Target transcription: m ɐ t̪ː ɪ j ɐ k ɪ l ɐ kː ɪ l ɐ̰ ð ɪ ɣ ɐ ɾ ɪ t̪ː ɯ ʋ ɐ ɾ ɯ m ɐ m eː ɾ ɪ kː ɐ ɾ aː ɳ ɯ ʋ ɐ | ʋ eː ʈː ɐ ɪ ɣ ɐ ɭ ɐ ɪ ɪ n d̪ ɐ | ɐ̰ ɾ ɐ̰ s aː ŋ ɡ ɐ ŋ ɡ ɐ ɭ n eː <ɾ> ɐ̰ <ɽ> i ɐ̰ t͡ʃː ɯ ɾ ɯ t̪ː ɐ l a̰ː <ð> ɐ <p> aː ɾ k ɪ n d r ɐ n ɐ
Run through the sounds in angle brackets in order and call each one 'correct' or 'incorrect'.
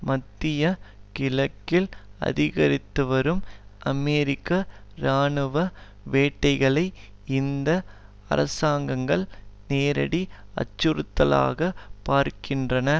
correct, correct, incorrect, correct

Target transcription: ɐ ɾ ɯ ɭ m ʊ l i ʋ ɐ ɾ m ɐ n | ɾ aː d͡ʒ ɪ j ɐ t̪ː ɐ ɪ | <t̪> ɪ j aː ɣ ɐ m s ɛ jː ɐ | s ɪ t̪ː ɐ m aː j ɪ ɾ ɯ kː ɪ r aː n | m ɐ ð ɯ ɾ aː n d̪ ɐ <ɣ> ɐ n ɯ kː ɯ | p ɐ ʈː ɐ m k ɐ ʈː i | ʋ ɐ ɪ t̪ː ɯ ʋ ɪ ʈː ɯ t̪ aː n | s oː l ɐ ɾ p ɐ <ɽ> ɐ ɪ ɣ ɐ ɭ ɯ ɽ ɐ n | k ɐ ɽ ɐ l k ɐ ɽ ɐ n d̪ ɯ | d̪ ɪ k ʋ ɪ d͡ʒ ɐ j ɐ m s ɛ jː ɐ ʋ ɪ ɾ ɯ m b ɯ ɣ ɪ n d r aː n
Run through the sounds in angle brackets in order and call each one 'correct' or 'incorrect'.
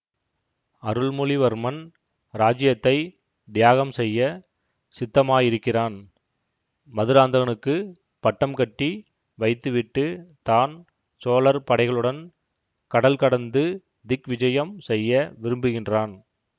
incorrect, correct, correct

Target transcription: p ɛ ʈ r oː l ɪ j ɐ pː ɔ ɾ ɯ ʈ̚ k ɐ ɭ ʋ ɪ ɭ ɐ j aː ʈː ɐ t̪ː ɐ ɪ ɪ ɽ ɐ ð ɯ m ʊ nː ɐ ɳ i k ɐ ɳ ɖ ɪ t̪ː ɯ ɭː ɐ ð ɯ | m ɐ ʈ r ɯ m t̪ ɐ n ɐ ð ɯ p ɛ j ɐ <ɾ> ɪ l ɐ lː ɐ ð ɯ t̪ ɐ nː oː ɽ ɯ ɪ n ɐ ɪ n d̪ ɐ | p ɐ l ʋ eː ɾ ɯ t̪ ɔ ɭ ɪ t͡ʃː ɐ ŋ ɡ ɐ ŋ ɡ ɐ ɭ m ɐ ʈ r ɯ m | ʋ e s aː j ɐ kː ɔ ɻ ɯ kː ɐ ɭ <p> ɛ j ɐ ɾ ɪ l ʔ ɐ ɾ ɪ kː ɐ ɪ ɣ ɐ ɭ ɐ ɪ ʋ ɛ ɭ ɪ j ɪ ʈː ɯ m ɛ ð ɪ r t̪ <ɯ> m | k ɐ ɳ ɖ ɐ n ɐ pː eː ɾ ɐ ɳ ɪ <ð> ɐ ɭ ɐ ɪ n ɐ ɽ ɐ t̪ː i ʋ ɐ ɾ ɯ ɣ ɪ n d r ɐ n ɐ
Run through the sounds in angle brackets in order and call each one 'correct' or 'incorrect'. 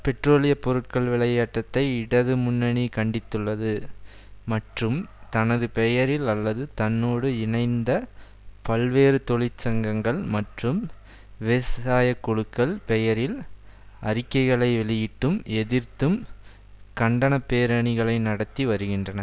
correct, correct, correct, incorrect

